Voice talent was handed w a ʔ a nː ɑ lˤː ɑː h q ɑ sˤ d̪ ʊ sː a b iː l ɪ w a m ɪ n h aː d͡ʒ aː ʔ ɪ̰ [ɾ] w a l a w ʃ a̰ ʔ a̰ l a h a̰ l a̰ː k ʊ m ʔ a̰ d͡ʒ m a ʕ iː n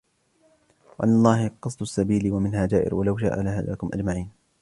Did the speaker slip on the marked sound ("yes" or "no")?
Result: no